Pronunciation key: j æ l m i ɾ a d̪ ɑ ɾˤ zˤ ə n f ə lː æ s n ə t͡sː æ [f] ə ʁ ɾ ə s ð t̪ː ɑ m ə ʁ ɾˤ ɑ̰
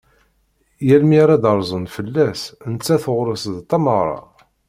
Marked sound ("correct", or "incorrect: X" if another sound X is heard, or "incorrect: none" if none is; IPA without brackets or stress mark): incorrect: θ